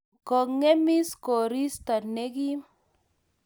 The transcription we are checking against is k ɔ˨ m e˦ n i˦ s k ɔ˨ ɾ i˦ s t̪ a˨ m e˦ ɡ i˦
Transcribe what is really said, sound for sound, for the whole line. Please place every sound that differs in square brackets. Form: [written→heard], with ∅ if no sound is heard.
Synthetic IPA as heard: k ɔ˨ [m→ŋ] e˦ [n→m] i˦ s k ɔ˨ ɾ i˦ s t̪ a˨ [m→n] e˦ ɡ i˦